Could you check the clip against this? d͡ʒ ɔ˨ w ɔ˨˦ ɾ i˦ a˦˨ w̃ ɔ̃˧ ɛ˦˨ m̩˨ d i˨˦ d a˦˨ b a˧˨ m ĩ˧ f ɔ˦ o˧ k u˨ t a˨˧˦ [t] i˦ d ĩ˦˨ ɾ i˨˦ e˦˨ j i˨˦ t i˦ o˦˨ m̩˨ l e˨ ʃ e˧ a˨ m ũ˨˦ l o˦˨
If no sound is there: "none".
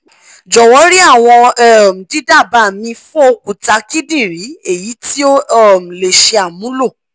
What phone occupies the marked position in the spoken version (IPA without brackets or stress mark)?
k